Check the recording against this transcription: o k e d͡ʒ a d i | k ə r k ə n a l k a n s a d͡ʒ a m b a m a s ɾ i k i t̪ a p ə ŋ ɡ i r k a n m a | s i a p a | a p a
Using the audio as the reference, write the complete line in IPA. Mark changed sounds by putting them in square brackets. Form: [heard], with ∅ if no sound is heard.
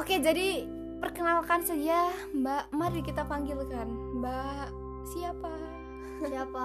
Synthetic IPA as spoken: o k e d͡ʒ a d i | [p] ə r k ə n a l k a n s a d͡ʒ a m b a m a [∅] ɾ i k i t̪ a p [a] ŋ ɡ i [l] k a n [b] a | s i a p a | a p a